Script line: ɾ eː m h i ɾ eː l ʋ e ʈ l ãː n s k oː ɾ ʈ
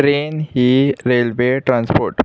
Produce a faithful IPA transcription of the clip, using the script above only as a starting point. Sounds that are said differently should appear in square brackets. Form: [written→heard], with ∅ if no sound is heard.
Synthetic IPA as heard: ɾ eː [m→n] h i ɾ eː l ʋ e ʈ [l→ɾ] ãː n s [k→p] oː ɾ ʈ